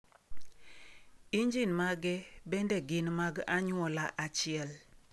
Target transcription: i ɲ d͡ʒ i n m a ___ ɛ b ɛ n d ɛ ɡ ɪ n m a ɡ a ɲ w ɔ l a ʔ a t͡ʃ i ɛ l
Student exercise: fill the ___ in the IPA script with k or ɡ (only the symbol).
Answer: ɡ